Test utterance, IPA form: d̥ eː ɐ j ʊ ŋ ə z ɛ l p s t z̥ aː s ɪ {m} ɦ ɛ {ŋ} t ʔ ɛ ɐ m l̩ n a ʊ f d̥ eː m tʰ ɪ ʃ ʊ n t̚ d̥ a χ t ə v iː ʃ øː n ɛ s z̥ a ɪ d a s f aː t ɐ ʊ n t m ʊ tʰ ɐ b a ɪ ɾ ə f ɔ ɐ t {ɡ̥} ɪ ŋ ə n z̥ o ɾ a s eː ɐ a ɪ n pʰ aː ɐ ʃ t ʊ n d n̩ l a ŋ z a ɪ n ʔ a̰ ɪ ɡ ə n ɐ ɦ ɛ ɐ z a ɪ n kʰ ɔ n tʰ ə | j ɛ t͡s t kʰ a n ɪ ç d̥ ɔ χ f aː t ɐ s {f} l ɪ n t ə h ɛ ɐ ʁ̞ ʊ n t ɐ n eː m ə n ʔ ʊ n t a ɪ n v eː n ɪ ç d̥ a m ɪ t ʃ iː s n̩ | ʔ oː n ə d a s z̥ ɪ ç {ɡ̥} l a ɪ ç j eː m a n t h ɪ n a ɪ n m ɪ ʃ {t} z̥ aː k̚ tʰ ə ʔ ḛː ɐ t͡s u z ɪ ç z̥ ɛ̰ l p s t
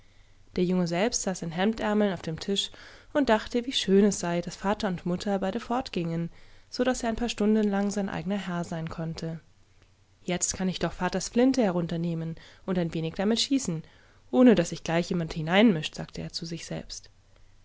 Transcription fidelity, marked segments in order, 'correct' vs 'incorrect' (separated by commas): incorrect, incorrect, correct, correct, correct, correct